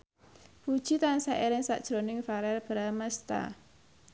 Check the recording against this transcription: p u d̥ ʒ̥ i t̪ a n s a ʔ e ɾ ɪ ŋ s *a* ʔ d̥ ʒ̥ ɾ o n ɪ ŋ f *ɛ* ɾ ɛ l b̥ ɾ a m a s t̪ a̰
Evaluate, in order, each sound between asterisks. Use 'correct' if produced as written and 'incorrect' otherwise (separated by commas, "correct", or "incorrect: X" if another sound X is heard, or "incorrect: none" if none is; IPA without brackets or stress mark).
correct, incorrect: a